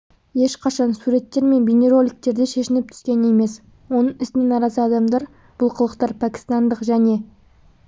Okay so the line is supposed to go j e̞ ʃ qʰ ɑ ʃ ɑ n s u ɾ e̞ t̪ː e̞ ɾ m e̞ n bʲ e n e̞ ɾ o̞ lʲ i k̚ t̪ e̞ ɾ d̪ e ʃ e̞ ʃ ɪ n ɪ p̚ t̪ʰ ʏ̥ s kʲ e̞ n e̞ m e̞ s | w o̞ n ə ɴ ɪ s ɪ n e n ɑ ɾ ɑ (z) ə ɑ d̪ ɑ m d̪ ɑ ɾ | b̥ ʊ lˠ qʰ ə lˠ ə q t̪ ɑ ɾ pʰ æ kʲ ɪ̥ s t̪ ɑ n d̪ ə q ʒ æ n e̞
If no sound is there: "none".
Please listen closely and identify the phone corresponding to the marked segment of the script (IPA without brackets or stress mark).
z